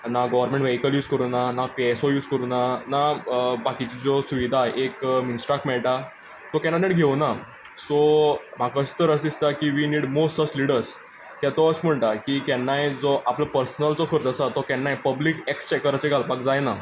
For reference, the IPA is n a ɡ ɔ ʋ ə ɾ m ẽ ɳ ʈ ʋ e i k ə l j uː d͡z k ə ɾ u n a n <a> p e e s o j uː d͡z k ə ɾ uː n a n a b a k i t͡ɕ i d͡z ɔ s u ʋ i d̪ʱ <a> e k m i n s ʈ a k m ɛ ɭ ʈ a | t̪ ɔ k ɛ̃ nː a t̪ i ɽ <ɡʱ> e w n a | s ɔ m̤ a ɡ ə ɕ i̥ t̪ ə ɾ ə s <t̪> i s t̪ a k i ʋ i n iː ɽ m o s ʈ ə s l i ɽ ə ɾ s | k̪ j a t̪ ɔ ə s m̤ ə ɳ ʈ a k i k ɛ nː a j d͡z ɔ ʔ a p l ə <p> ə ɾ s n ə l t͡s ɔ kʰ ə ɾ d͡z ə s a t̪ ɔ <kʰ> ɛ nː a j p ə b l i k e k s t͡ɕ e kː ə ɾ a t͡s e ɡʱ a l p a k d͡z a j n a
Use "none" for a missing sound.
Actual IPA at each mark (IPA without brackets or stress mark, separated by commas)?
a, a, ɡʱ, d̪, p, k